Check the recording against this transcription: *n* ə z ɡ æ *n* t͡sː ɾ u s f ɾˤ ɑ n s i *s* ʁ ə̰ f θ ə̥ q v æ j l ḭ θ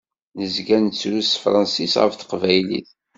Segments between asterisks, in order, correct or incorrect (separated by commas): correct, correct, correct